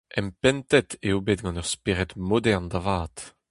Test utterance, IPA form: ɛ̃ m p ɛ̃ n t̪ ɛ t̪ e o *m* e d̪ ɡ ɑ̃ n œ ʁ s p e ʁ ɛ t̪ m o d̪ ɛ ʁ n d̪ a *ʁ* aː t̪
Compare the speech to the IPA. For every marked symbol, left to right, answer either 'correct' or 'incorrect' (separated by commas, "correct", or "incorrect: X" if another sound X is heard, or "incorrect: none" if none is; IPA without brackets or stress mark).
incorrect: b, incorrect: v